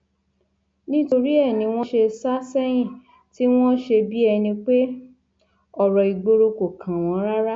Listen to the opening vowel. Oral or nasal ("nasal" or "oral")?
nasal